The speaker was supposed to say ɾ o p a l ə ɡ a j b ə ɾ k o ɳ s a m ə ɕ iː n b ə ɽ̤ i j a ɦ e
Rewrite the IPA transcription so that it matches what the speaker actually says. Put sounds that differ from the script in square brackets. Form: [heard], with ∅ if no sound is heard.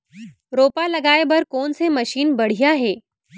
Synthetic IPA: ɾ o p a l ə ɡ a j b ə ɾ k o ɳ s [e] m ə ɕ iː n b ə ɽ̤ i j a ɦ e